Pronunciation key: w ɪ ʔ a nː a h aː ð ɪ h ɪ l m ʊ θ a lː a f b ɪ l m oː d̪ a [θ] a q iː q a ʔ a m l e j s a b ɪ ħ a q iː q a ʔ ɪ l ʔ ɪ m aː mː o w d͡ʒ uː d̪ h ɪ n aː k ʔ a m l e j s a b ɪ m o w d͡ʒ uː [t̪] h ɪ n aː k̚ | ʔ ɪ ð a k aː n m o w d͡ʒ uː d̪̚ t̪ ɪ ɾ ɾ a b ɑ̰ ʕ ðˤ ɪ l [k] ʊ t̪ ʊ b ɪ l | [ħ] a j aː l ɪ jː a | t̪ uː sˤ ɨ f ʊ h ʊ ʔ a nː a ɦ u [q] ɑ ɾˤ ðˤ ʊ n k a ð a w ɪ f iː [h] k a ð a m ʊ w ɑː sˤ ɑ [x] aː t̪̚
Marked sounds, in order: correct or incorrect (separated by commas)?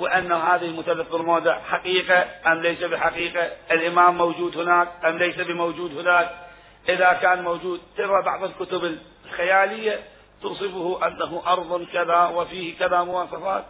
incorrect, incorrect, correct, incorrect, incorrect, correct, incorrect